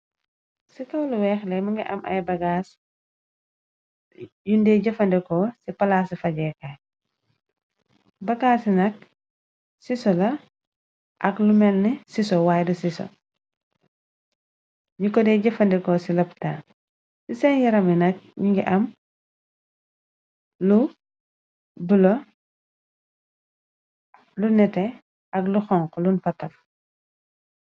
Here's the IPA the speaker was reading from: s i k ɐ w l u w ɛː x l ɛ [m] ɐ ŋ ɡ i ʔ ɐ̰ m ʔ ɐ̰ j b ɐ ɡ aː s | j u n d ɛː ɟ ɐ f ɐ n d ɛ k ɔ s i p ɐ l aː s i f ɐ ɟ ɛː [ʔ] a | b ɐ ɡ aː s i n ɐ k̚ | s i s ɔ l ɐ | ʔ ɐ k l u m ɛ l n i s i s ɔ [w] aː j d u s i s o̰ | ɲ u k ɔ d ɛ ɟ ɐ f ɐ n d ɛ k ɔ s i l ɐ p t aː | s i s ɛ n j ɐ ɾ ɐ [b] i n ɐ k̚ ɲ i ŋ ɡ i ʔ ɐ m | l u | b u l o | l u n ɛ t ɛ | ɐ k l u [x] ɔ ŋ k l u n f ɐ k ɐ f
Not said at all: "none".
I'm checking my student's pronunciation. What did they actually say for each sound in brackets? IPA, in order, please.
m, k, w, m, x

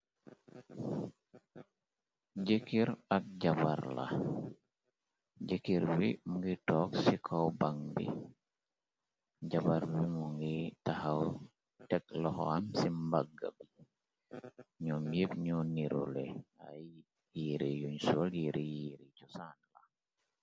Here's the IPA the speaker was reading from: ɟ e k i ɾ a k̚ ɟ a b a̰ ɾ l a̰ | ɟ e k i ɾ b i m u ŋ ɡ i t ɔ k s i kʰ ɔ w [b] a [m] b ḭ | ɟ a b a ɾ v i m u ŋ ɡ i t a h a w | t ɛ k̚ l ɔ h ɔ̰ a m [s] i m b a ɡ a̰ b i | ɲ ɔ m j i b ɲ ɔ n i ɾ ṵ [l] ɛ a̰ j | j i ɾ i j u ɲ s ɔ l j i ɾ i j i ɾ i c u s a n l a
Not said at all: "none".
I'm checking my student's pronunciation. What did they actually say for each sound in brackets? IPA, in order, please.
b, ŋ, s, l

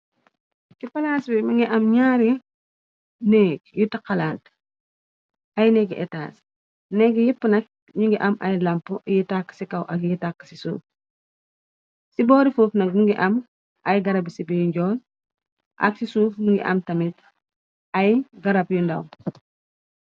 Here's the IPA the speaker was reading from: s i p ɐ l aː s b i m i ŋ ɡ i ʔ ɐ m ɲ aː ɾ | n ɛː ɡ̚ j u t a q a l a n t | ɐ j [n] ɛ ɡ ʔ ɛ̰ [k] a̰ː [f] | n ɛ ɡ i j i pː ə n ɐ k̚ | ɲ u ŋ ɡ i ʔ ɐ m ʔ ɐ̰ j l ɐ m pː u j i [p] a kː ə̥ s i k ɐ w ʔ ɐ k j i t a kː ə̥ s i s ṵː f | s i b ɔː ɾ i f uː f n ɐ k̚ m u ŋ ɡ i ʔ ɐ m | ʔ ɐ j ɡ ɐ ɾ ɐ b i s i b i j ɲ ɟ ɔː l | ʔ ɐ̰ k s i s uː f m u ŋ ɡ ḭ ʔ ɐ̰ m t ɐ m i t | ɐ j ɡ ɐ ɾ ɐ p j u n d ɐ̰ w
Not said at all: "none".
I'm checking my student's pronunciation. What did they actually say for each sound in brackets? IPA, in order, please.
n, t, s, t

